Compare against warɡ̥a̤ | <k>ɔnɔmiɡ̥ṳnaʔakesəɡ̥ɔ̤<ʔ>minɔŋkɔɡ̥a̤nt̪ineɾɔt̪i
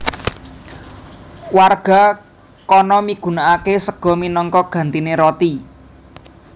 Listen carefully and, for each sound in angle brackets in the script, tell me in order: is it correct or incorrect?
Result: correct, incorrect: none

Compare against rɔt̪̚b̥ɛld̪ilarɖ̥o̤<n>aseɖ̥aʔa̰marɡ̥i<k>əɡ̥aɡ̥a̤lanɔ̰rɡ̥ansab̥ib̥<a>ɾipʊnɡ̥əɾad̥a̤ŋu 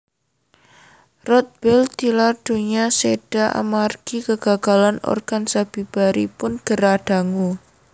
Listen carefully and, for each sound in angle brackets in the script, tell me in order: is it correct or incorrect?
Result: incorrect: ɲ, correct, correct

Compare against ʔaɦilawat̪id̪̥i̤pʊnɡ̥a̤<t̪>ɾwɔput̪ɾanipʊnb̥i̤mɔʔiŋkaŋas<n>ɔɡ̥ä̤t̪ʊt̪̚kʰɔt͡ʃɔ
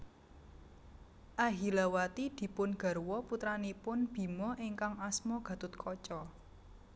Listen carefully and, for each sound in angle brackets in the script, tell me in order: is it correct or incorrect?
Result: incorrect: none, incorrect: m

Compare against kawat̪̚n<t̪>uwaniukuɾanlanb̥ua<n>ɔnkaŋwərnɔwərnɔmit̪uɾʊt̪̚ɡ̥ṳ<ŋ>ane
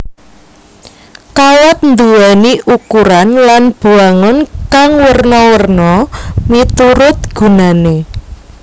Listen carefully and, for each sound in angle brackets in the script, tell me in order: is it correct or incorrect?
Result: incorrect: d̪, incorrect: ŋ, incorrect: n

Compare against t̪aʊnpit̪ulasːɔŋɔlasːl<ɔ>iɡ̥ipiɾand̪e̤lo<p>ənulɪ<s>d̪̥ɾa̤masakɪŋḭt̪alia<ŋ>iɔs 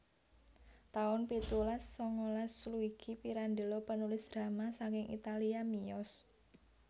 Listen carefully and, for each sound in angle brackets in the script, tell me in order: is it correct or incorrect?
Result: incorrect: u, correct, correct, incorrect: m

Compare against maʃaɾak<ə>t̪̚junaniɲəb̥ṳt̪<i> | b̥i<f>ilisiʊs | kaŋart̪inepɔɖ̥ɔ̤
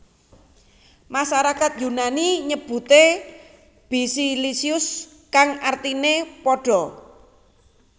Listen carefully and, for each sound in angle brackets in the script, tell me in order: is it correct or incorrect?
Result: incorrect: a, incorrect: e, incorrect: s

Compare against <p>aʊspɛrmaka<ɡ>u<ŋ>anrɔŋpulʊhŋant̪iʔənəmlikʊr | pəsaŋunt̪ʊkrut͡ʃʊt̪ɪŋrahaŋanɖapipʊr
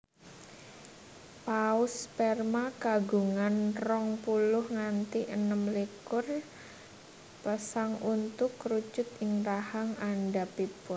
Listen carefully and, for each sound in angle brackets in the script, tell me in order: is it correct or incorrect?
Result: correct, correct, correct

